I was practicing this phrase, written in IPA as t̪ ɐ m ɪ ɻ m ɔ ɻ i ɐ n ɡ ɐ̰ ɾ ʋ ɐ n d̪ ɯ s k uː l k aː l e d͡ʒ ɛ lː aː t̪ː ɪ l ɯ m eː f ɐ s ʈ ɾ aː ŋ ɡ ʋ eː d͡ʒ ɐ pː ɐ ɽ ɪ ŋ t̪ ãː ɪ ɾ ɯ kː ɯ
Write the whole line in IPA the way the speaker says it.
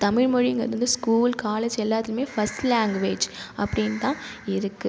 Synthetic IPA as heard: t̪ ɐ m ɪ ɻ m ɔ ɻ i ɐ ŋ ɡ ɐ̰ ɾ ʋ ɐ n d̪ ɯ s k uː l k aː l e d͡ʒ ɛ lː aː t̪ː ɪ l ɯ m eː f ɐ s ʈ l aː ŋ ɡ ʋ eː d͡ʒ ɐ pː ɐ ɽ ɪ n t̪ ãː ɪ ɾ ɯ kː ɯ